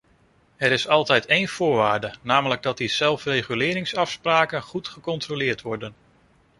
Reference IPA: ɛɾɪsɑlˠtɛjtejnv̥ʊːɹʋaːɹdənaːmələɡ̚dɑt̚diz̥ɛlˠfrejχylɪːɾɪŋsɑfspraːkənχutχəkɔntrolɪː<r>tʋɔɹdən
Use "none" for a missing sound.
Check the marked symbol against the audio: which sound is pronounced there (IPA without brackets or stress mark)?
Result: ɹ